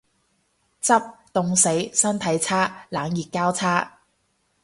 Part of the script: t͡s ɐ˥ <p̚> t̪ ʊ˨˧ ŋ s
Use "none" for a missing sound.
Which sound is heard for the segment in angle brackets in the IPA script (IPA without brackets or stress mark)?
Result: p̚